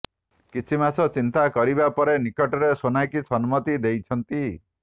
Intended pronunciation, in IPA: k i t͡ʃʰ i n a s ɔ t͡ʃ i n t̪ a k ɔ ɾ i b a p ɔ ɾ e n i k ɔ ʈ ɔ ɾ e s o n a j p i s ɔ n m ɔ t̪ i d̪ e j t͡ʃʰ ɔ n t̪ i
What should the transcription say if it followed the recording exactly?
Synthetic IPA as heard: k i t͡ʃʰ i m a s ɔ t͡ʃ i n t̪ a k ɔ ɾ i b a p ɔ ɾ e n i k ɔ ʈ ɔ ɾ e s o n a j k i s ɔ n m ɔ t̪ i d̪ e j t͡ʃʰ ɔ n t̪ i